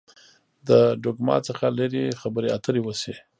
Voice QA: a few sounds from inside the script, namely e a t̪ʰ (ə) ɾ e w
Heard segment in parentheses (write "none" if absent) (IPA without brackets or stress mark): ə